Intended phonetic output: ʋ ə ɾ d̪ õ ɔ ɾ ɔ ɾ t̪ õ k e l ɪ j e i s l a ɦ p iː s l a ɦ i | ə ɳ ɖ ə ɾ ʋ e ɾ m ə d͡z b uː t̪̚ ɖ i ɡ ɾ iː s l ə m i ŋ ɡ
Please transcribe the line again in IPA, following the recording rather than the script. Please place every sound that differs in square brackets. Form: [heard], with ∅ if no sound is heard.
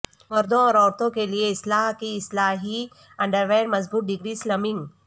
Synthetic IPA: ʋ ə ɾ d̪ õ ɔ ɾ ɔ ɾ t̪ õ k e l [i] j e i s l a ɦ [k] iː s l a ɦ i | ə ɳ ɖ ə ɾ ʋ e ɾ m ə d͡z b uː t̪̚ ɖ i ɡ ɾ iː s l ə m i ŋ ɡ